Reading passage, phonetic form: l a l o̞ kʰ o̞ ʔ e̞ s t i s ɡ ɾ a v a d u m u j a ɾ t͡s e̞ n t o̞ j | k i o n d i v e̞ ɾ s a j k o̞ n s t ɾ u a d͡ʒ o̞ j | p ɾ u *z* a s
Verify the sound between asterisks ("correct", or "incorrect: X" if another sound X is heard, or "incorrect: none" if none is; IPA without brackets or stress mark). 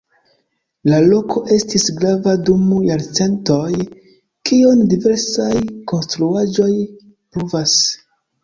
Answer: incorrect: v